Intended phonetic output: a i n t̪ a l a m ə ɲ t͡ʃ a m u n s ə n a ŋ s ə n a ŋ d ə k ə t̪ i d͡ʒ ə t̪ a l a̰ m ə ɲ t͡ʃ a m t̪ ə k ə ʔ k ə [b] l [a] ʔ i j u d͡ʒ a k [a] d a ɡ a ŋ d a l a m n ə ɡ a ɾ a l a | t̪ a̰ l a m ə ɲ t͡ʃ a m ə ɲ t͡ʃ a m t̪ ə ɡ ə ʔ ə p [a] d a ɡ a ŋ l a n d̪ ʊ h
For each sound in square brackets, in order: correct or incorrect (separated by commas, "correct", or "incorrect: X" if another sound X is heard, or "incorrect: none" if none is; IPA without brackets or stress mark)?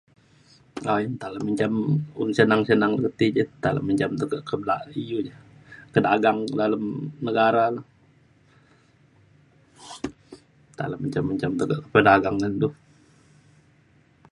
correct, correct, incorrect: ə, incorrect: ə